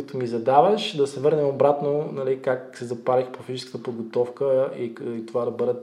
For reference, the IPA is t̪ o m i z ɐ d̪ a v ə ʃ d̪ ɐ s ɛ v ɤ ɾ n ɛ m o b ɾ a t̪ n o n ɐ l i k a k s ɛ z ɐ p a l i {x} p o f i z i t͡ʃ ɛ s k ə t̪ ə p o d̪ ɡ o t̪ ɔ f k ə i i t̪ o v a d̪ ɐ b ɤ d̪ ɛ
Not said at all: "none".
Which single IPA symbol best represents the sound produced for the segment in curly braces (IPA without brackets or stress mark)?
x